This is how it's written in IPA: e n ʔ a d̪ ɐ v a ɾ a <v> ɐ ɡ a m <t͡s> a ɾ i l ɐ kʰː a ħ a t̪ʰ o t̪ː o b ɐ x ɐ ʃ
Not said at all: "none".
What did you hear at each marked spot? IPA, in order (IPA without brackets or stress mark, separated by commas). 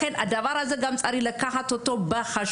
z, t͡sʼ